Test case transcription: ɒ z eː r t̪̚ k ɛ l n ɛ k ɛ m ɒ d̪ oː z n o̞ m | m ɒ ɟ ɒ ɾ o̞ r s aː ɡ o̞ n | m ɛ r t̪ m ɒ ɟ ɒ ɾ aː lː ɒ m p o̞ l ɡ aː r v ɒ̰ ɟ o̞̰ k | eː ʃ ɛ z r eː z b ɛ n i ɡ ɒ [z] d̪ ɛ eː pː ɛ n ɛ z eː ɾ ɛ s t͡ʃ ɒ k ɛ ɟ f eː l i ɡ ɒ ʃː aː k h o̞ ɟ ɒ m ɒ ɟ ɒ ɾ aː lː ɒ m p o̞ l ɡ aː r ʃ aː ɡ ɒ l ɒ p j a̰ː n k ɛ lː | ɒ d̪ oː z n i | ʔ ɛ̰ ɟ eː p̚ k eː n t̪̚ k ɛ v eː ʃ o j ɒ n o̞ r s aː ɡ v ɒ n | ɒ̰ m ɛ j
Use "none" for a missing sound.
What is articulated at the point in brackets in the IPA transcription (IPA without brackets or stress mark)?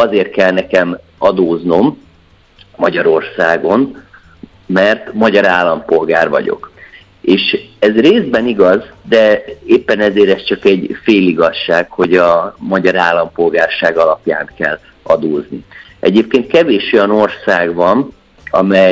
z